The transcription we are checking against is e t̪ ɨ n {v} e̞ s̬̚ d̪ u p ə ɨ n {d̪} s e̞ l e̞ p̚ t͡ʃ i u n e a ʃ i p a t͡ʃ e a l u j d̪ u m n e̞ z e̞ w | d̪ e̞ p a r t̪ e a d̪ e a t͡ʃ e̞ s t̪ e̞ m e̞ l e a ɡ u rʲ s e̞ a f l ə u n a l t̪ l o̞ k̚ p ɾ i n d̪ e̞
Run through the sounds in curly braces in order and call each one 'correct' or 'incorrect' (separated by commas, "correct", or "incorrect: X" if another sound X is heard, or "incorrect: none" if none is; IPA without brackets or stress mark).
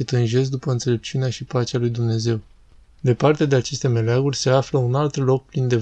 incorrect: ʒ, incorrect: t̪